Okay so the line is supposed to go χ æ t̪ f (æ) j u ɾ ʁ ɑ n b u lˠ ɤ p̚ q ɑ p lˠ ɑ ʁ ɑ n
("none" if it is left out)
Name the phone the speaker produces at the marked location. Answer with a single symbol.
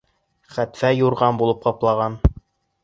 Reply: æ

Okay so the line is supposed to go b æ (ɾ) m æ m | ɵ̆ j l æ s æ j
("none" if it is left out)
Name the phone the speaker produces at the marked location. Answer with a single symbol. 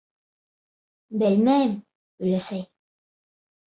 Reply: l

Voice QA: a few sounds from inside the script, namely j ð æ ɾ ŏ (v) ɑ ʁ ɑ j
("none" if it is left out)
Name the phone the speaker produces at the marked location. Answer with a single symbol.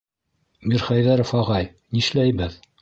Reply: f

